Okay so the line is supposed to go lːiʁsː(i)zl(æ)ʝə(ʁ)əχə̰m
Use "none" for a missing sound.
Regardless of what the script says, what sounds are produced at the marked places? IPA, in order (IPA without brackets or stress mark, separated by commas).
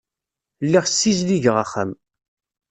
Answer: i, i, ʁ